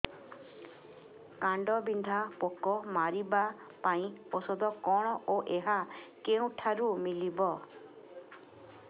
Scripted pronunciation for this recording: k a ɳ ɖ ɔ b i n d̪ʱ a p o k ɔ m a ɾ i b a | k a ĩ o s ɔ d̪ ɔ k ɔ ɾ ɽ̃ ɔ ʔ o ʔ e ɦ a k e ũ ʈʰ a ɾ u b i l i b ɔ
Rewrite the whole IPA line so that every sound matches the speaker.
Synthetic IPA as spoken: k a ɳ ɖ ɔ b i n d̪ʱ a p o k ɔ m a ɾ i b a | p a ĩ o s ɔ d̪ ɔ k ɔ ɽ̃ ɔ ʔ o ʔ e ɦ a k e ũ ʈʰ a ɾ u m i l i b ɔ